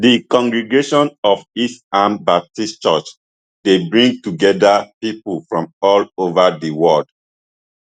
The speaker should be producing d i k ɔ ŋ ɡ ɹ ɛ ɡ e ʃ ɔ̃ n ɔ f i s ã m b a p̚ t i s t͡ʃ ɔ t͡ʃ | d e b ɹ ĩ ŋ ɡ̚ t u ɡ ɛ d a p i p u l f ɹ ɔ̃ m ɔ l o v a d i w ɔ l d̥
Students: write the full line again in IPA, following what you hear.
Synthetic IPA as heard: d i k ɔ̃ ŋ ɡ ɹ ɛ ɡ e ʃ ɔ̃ n ɔ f i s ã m b a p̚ t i s t͡ʃ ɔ t͡ʃ | d e b ɹ ĩ ŋ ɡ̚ t u ɡ ɛ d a p i p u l f ɹ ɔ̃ m ɔ l o v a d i w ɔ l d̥